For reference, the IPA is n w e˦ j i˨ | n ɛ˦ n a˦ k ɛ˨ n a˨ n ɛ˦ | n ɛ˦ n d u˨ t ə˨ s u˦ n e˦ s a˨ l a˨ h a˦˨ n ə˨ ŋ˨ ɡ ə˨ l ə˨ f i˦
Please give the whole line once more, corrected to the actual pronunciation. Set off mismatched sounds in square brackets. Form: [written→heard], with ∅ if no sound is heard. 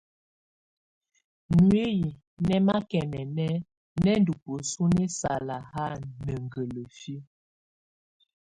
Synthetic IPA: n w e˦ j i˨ | n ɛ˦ [n→m] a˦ k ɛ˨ n [a˨→ɛ˨] n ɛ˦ | n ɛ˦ n d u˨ [t→p] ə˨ s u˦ n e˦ s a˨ l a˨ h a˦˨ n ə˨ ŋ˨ ɡ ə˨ l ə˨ f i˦

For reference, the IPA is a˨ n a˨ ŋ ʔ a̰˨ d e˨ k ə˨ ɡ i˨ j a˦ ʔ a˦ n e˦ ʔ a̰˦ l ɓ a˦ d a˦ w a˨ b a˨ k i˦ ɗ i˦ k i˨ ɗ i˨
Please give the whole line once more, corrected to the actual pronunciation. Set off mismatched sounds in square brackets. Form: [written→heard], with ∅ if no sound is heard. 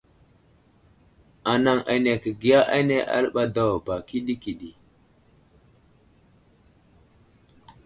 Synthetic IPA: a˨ n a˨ ŋ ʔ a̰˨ [d→n] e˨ k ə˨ ɡ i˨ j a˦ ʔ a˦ n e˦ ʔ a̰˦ l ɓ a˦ d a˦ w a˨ b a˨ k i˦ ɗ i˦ k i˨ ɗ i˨

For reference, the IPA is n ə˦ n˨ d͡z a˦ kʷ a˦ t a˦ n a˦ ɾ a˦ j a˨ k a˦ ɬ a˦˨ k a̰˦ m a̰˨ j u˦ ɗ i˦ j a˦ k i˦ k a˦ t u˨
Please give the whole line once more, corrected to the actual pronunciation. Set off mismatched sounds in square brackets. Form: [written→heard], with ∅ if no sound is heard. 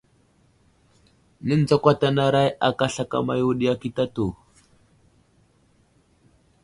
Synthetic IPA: n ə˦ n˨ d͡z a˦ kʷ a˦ t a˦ n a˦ ɾ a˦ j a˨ k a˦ ɬ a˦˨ k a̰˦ m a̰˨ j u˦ ɗ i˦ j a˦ k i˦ [k→t] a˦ t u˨

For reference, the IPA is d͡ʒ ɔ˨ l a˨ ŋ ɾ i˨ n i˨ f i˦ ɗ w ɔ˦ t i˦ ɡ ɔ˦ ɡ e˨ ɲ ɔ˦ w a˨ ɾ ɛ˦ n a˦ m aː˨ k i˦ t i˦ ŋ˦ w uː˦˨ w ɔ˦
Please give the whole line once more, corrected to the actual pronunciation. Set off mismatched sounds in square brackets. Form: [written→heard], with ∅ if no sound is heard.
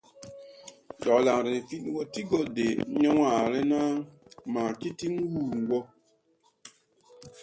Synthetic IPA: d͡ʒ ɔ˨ l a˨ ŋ ɾ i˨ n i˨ f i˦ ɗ w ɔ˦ t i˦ ɡ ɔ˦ [ɡ→d] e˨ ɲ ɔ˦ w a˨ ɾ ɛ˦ n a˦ m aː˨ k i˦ t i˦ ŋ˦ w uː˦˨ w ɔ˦

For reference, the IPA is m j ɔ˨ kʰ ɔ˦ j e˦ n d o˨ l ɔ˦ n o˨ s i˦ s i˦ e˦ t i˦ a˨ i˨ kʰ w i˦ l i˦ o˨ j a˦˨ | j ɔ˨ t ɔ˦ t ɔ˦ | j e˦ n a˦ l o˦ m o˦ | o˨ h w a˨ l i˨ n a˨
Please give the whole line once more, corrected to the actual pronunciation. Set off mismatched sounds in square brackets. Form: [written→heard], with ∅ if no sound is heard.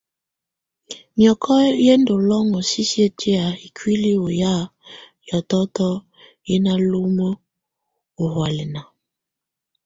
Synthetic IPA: m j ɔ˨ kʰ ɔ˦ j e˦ n d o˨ l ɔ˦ [n→ŋ] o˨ s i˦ s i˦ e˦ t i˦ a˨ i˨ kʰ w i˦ l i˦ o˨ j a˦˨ | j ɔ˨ t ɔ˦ t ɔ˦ | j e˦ n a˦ l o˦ m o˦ | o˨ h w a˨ l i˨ n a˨

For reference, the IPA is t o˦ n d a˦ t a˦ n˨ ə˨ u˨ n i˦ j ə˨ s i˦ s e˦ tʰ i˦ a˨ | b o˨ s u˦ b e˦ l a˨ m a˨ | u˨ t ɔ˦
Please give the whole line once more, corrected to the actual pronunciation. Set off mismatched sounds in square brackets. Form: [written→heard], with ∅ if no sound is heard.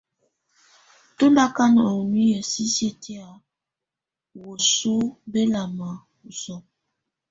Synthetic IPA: t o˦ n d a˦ [t→k] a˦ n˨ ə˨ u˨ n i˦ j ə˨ s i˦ s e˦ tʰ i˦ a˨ | [b→w] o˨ s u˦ b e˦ l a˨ m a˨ | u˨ [t→s] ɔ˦

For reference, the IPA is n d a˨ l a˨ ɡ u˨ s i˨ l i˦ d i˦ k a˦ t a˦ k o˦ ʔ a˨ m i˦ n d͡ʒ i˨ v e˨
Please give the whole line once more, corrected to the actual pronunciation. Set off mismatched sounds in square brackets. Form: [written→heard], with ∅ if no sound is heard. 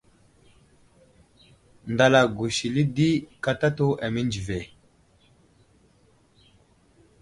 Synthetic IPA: n d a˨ l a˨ ɡ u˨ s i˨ l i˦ d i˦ k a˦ t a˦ [k→t] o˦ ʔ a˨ m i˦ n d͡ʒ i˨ v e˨

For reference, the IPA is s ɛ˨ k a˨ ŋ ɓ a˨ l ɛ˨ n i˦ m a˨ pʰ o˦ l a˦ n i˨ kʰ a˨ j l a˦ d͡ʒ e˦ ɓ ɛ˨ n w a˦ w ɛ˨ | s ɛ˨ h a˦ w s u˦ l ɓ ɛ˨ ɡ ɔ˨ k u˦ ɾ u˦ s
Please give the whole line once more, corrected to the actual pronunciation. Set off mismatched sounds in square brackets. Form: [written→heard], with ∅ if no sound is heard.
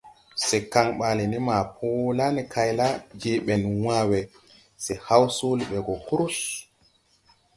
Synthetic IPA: s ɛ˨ k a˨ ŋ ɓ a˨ l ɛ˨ n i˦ m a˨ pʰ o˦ l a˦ n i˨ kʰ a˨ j l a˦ d͡ʒ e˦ ɓ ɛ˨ n w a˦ w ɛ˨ | s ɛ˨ h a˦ w s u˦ l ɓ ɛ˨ ɡ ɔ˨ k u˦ ɾ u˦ s

